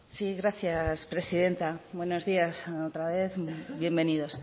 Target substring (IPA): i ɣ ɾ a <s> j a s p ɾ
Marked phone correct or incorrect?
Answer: incorrect